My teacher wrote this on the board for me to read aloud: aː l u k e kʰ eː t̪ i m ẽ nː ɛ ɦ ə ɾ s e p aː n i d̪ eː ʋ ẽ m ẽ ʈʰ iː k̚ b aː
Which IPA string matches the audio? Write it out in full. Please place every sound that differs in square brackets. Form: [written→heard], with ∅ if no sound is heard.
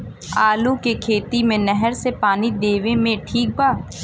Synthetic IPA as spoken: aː l u k e kʰ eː t̪ i m ẽ [nː→n] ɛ ɦ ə ɾ s e p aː n i d̪ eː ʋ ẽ m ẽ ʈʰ iː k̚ b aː